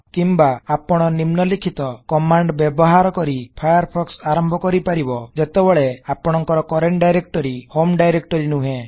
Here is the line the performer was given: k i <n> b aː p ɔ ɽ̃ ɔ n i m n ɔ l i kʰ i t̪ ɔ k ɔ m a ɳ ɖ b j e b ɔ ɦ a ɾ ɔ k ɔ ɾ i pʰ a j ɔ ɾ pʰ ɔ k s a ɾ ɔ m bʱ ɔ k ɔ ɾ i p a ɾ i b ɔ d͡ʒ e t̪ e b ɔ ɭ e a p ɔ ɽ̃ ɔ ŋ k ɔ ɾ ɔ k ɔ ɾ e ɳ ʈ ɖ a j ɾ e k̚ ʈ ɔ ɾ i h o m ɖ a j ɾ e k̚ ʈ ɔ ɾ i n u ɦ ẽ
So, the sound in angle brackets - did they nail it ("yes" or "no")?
no